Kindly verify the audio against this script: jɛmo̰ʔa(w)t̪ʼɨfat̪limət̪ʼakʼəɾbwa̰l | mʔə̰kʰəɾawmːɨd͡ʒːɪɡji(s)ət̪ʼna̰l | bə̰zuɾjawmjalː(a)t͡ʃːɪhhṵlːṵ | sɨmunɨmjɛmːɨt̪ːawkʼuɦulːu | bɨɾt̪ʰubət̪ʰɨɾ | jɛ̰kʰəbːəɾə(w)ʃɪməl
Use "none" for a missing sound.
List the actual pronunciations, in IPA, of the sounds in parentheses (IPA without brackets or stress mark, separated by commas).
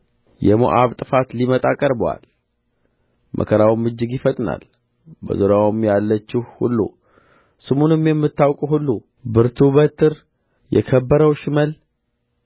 β, f, ə, w